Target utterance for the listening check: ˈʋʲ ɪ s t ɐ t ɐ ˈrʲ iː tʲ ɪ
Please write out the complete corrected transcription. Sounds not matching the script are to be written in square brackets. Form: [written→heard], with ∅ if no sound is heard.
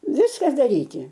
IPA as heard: ˈʋʲ ɪ s [t→k] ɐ [t→d] ɐ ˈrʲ iː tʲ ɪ